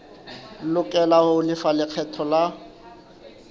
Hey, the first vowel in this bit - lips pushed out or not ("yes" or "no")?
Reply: yes